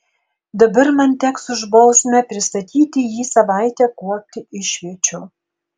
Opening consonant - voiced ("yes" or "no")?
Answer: yes